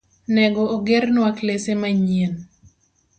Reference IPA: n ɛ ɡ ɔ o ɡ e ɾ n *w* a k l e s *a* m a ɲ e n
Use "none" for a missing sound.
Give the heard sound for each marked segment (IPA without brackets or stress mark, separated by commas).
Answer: w, e